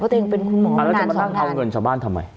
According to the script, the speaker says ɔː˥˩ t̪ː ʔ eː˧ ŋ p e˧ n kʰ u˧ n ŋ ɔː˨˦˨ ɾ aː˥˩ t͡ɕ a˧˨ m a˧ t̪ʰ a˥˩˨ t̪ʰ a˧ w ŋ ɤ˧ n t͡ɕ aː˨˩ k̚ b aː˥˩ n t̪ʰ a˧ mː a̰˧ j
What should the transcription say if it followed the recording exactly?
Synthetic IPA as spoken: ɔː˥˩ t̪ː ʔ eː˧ ŋ p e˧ n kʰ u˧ n m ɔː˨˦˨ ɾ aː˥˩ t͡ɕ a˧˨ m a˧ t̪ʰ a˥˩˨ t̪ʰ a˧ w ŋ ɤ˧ n t͡ɕ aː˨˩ k̚ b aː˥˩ n t̪ʰ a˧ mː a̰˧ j